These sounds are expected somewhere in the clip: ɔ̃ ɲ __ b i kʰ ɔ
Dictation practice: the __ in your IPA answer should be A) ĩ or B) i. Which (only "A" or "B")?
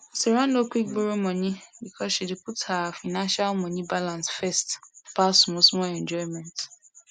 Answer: A